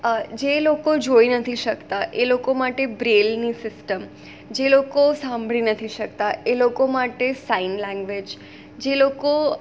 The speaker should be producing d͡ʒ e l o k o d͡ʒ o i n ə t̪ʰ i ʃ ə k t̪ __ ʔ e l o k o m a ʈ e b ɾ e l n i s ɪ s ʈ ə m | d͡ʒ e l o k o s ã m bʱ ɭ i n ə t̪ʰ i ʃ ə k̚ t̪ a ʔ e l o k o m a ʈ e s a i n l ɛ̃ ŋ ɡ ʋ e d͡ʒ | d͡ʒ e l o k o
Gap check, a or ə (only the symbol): a